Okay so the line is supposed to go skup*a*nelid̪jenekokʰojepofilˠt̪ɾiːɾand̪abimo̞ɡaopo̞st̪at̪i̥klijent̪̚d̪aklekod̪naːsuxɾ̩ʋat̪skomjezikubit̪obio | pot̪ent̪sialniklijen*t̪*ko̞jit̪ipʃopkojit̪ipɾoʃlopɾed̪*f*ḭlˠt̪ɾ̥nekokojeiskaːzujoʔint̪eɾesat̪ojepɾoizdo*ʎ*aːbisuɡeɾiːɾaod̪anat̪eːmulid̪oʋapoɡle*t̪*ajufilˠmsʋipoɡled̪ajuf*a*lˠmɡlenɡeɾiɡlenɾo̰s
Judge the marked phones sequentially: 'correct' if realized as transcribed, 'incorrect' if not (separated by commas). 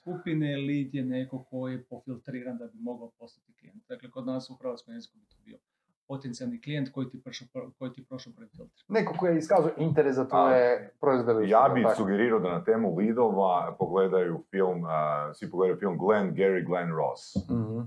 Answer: incorrect, correct, correct, incorrect, incorrect, incorrect